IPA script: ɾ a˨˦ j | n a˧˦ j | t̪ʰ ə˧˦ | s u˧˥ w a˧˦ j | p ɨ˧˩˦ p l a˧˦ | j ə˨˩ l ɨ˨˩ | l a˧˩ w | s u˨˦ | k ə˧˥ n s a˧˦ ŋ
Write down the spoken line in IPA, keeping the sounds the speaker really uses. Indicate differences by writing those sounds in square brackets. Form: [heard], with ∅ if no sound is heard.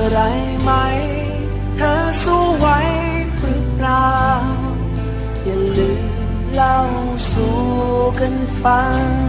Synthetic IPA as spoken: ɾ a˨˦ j | [m] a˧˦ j | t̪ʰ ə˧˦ | s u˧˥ w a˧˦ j | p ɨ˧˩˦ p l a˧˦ | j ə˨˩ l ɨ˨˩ | l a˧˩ w | s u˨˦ | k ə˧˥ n [f] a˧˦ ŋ